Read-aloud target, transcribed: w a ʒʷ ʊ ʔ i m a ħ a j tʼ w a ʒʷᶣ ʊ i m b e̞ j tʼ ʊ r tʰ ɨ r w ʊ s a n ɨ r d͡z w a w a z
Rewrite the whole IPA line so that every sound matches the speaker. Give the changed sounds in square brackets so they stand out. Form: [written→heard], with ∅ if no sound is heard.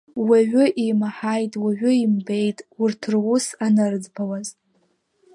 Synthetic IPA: w a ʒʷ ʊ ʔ i m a ħ a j tʼ w a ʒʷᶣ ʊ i m b e̞ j tʼ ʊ r tʰ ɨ r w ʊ s a n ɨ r d͡z [w→b] a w a z

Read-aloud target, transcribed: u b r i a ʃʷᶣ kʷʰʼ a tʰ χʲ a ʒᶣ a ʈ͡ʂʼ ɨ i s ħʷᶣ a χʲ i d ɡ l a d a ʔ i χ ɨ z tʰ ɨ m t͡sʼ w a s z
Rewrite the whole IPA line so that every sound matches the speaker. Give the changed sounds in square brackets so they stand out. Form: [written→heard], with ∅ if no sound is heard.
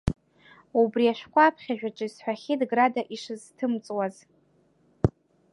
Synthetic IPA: u b r i a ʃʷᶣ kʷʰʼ a [tʰ→pʰ] χʲ a ʒᶣ a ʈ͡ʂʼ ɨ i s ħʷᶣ a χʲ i d ɡ [l→r] a d a ʔ i [χ→ʂ] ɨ z tʰ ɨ m t͡sʼ w a [s→∅] z

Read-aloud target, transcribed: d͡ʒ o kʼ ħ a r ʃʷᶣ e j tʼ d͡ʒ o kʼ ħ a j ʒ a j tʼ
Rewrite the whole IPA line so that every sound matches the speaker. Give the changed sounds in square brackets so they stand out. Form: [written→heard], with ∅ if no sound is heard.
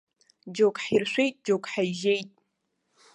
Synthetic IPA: d͡ʒ o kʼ ħ [a→i] r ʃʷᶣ e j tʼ d͡ʒ o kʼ ħ a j ʒ [a→e] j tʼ

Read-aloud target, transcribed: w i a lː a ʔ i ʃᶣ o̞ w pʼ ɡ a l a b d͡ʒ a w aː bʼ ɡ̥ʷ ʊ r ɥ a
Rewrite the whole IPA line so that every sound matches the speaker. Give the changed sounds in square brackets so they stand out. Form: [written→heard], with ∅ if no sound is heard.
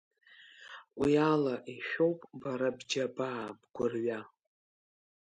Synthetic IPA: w i a [lː→l] a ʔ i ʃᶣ o̞ w pʼ [ɡ→b] a [l→ɾ] a b d͡ʒ a [w→b] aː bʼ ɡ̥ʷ ʊ r ɥ a

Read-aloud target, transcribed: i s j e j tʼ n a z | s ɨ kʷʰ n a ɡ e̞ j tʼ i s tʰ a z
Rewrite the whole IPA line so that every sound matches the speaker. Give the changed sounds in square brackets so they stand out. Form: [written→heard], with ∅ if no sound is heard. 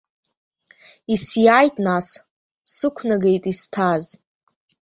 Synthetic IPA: i s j [e→a] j tʼ n a [z→s] | s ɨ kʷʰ n a ɡ e̞ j tʼ i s tʰ a z

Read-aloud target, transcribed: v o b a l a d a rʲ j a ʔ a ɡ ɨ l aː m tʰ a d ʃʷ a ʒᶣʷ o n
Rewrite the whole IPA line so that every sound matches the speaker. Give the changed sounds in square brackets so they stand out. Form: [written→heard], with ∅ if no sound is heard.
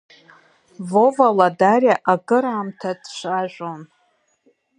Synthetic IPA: v o [b→v] a l a d a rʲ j a ʔ a ɡ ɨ [l→ɾ] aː m tʰ a d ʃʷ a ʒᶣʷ o n

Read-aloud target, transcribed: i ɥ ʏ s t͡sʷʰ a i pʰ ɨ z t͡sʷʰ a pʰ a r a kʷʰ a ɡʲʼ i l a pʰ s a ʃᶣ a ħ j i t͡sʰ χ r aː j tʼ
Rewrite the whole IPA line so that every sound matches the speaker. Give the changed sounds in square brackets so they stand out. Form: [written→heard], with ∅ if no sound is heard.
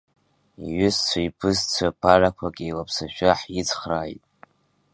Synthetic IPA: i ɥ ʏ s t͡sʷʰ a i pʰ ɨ z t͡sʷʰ a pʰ a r a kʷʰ a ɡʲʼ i l a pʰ s a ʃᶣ a ħ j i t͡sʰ χ r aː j tʼ

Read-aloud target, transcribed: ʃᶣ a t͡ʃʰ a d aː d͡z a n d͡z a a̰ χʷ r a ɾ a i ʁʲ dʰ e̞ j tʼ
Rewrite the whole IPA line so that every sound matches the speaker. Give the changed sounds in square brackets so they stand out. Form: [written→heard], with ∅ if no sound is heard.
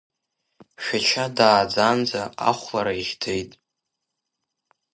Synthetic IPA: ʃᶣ a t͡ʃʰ a d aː d͡z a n d͡z a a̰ χʷ [r→l] a ɾ a i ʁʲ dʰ e̞ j tʼ

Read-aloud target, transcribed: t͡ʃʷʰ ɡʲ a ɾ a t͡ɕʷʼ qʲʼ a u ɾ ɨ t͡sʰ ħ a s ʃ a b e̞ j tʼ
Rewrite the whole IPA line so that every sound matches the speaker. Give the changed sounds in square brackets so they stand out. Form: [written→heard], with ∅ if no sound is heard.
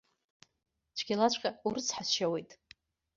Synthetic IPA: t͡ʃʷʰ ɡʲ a [ɾ→l] a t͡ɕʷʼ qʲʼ a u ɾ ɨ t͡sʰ ħ a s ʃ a [b→w] e̞ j tʼ

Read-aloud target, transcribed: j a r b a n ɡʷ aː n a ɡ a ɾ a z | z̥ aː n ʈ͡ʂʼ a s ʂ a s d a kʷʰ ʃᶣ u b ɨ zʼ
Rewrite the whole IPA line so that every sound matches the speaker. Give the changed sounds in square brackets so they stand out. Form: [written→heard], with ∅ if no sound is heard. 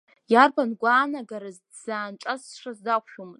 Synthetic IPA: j a r b a n ɡʷ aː n a ɡ a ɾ a z | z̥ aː n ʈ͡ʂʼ a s ʂ a [s→z] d a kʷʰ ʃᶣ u [b→m] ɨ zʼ

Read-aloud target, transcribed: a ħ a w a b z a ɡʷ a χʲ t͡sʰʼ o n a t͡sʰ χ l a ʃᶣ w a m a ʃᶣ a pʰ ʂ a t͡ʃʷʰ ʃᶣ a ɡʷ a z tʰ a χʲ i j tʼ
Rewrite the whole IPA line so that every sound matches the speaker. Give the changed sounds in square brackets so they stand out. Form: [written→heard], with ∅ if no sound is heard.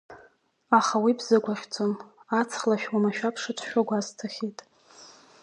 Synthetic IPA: a [ħ→χ] a w [a→i] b z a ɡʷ a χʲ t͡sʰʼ o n a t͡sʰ χ l a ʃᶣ w a m a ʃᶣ a pʰ ʂ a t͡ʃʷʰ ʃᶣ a ɡʷ a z tʰ a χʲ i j tʼ

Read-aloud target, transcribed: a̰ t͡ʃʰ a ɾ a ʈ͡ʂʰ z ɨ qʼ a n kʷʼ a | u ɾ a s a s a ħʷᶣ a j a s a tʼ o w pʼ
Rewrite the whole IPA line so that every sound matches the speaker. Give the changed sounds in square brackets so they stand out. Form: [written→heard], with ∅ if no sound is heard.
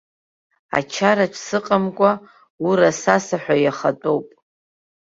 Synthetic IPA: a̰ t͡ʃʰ a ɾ a ʈ͡ʂʰ [z→s] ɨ qʼ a [n→m] kʷʼ a | u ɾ a s a s a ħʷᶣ a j a [s→χ] a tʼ o w pʼ

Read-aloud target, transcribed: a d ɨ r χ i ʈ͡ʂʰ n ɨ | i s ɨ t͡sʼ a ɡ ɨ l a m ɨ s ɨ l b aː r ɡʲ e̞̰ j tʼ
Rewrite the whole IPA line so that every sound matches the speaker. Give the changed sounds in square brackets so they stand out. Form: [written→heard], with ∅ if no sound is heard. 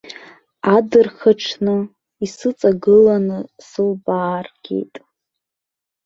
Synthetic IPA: a d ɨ r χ [i→a] ʈ͡ʂʰ n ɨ | i s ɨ t͡sʼ a ɡ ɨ l a [m→n] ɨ s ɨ l b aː r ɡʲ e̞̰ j tʼ

